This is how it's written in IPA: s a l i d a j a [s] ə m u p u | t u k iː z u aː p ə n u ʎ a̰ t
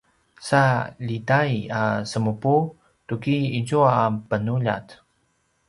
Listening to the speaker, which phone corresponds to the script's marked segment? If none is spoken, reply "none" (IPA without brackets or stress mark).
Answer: s